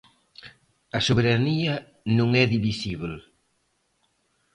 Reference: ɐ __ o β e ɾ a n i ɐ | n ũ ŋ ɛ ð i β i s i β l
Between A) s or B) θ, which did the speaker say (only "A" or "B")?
A